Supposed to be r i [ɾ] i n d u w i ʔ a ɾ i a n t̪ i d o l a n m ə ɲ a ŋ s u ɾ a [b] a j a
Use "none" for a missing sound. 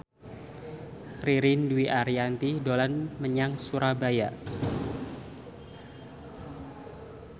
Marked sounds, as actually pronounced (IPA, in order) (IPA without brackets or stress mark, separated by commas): ɾ, b